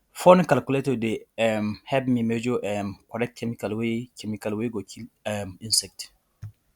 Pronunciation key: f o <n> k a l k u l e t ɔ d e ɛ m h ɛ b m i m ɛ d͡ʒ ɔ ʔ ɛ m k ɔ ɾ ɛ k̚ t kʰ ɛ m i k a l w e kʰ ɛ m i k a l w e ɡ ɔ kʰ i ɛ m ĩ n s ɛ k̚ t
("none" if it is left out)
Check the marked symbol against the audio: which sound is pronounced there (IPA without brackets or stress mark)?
n